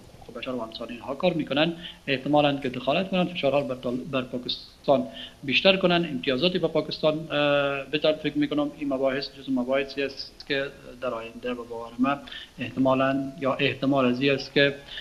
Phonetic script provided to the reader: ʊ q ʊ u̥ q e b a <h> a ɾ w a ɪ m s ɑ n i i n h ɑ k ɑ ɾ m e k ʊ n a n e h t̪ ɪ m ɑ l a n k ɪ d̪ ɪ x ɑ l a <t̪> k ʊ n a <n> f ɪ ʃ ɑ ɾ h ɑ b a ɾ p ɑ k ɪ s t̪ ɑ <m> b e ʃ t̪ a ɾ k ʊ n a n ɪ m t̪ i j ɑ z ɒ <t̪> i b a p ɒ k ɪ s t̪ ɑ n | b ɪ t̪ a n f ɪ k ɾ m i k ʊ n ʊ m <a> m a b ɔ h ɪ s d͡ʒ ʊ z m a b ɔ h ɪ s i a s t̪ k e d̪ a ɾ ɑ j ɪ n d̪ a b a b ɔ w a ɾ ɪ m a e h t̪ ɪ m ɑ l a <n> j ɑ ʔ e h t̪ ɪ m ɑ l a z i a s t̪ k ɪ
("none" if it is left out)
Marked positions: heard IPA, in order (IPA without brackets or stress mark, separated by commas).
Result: ʃ, t̪, n, n, t̪, i, n